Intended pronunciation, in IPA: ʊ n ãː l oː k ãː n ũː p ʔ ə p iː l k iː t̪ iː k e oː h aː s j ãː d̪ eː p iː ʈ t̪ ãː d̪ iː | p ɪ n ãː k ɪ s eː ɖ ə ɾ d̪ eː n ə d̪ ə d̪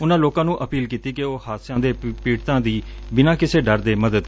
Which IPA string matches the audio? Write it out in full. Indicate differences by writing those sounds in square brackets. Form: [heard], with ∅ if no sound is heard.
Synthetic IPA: ʊ n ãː l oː k ãː n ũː [∅] ʔ ə p iː l k iː t̪ iː k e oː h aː s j ãː d̪ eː p iː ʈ t̪ ãː d̪ iː | [b] ɪ n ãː k ɪ s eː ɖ ə ɾ d̪ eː [m] ə d̪ ə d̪